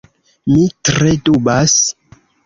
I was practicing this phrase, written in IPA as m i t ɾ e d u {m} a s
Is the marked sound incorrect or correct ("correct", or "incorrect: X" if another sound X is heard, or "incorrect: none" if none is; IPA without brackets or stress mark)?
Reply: incorrect: b